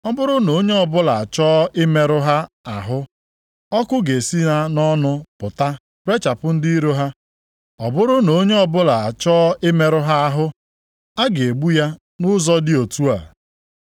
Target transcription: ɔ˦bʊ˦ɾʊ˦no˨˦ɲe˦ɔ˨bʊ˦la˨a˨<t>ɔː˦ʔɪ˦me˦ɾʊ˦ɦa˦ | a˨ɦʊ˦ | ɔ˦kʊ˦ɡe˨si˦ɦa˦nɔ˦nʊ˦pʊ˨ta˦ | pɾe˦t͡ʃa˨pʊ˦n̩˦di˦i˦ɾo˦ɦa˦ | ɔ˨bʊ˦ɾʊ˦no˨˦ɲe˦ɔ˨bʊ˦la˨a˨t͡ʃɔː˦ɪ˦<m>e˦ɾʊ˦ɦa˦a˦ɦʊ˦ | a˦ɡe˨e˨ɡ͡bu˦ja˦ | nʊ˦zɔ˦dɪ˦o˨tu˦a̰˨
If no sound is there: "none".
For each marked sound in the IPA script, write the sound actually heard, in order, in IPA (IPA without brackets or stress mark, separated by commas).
t͡ʃ, m